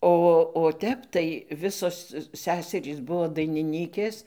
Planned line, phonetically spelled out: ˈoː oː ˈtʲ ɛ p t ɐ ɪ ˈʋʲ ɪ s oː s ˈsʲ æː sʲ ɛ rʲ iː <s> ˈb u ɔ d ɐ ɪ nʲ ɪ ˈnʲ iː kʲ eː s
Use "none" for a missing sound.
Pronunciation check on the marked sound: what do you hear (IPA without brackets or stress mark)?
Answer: s